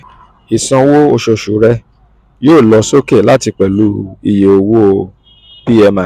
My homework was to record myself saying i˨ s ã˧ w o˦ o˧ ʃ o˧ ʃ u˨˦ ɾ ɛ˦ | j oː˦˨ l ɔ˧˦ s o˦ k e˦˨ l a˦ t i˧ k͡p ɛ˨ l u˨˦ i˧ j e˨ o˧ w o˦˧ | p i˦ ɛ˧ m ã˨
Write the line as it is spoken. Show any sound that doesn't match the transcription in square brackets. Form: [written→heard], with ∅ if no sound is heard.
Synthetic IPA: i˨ s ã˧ w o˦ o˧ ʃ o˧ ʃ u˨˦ ɾ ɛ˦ | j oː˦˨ l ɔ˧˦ s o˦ k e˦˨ l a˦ t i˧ k͡p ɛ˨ l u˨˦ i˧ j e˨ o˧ w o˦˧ | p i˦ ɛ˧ m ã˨